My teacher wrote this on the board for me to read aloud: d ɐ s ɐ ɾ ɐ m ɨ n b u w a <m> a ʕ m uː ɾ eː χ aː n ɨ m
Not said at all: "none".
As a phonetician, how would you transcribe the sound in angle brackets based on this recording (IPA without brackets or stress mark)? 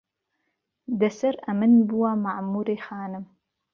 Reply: m